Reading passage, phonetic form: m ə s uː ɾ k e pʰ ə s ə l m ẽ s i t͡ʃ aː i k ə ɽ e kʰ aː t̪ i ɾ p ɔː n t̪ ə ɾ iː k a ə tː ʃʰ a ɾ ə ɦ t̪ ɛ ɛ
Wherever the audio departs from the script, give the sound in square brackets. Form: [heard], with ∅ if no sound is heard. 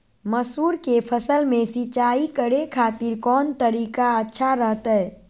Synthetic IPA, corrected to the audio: m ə s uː ɾ k e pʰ ə s ə l m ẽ s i t͡ʃ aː i k ə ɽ e kʰ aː t̪ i ɾ [k] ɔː n t̪ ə ɾ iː k a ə tː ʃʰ a ɾ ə ɦ t̪ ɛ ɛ